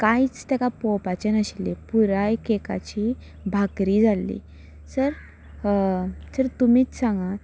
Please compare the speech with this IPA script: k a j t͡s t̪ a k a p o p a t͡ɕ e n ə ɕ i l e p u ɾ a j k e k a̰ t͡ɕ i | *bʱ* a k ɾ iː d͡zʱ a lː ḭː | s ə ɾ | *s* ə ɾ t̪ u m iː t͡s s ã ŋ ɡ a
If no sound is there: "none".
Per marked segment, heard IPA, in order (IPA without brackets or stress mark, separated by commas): bʱ, s